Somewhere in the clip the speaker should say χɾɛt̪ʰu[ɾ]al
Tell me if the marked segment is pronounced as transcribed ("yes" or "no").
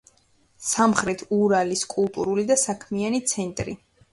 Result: yes